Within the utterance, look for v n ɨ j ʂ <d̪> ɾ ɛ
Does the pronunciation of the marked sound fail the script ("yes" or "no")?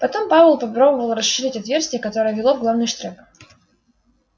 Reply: yes